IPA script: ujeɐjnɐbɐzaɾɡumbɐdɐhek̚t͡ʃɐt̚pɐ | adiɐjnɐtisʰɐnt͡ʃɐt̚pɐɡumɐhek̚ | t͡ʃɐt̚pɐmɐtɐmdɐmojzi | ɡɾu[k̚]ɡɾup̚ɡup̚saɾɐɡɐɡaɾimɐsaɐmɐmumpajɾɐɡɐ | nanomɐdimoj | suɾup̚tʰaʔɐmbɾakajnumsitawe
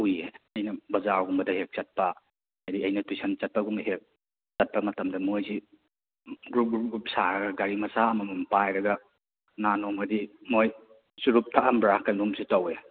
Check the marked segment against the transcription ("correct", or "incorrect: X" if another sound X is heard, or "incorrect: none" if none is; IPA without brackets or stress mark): incorrect: p̚